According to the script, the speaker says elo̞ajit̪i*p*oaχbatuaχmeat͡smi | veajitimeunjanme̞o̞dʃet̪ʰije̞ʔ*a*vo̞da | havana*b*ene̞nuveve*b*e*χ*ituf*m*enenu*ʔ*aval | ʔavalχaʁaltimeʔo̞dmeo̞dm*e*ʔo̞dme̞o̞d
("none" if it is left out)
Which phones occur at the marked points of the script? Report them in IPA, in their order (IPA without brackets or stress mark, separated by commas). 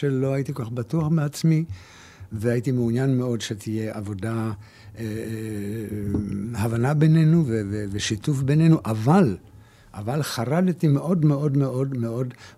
k, a, b, v, ʃ, b, ʔ, e